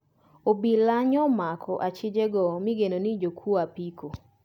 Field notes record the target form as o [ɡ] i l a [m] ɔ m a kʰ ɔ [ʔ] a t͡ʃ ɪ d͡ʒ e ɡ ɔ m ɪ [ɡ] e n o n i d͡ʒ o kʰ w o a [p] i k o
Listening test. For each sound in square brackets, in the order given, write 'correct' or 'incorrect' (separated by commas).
incorrect, incorrect, correct, correct, correct